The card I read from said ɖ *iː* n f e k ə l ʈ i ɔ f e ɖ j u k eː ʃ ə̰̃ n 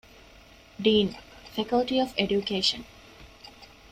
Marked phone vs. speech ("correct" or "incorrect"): correct